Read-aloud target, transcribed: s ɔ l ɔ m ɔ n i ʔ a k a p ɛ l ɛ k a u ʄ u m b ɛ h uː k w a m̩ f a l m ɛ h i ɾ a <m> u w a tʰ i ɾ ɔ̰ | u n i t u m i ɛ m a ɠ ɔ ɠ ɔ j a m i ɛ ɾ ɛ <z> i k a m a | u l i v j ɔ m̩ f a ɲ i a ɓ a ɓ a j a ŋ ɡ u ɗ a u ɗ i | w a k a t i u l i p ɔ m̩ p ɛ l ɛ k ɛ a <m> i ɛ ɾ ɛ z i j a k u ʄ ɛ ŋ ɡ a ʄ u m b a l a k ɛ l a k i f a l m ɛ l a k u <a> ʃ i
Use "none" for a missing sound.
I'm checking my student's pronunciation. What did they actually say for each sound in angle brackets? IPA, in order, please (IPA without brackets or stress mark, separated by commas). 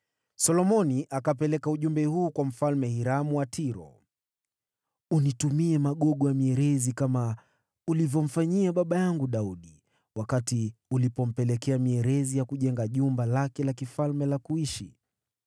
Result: m, z, m, i